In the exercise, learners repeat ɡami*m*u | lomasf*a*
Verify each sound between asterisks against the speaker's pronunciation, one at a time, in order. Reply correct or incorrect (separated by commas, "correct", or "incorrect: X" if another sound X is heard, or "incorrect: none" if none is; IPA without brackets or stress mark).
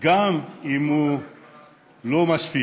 correct, incorrect: i